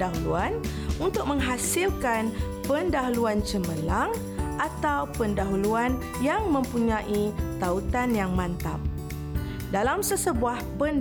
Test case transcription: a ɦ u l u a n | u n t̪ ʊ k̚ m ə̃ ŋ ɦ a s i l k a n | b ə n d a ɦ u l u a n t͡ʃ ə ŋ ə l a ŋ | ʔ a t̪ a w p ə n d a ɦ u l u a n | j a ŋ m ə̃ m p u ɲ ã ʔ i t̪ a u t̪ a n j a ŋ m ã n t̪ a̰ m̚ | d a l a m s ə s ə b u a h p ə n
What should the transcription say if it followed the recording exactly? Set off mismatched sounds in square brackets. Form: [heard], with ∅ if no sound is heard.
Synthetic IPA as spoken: a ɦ u l u a n | u n t̪ ʊ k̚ m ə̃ ŋ ɦ a s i l k a n | [p] ə n d a ɦ u l u a n t͡ʃ ə [m] ə l a ŋ | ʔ a t̪ a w p ə n d a ɦ u l u a n | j a ŋ m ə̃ m p u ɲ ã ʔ i t̪ a u t̪ a n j a ŋ m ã n t̪ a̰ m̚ | d a l a m s ə s ə b u a h p ə n